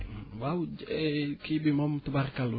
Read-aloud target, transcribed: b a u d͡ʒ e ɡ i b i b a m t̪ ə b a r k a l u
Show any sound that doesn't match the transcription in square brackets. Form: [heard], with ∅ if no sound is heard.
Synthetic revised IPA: [w] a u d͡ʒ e [k] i b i [m] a m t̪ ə b a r k a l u